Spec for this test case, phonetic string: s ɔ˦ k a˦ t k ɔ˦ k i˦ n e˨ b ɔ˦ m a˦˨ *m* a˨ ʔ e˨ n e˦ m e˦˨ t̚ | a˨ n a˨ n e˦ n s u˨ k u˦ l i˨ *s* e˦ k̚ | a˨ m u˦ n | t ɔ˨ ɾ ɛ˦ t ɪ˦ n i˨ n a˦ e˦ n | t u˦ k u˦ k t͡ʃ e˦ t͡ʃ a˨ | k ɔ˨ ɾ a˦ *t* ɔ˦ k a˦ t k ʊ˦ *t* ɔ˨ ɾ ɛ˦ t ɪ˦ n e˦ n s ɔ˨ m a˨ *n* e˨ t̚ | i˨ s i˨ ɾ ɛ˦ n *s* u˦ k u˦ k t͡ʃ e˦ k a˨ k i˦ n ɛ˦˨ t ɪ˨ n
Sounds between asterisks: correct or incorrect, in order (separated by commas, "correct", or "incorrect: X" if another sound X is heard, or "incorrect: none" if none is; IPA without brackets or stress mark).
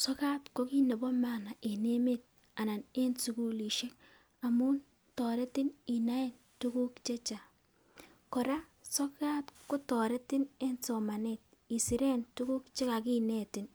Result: incorrect: n, incorrect: ʃ, incorrect: s, correct, correct, incorrect: t